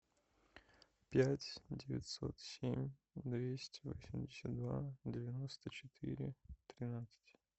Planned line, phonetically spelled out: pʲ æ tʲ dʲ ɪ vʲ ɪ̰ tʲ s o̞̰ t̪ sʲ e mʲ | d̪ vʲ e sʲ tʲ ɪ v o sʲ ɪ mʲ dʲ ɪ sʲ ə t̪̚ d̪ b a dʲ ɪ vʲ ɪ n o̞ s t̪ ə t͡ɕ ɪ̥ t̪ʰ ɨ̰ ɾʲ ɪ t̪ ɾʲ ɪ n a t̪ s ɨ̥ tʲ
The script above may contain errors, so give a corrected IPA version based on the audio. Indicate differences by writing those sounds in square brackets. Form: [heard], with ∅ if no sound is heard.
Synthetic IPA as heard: pʲ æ tʲ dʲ ɪ vʲ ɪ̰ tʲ s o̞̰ t̪ sʲ e mʲ | d̪ vʲ e sʲ tʲ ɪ v o sʲ ɪ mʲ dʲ ɪ sʲ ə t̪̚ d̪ [v] a dʲ ɪ vʲ ɪ n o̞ s t̪ ə t͡ɕ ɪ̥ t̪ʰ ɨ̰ ɾʲ ɪ t̪ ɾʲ ɪ n a t̪ s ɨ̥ tʲ